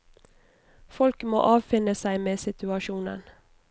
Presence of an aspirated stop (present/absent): absent